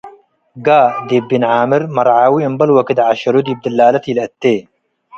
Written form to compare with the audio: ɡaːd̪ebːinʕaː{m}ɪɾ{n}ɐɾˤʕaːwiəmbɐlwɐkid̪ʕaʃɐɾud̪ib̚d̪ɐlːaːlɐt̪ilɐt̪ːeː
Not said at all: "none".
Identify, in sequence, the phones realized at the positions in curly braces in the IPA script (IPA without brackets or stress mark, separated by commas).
m, m